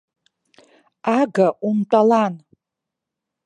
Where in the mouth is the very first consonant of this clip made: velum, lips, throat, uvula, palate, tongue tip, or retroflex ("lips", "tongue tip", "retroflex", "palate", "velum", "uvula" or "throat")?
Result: velum